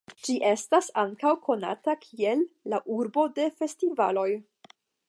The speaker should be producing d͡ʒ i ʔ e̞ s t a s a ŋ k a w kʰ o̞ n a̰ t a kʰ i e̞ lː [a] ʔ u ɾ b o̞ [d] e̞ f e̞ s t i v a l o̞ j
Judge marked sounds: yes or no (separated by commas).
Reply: yes, yes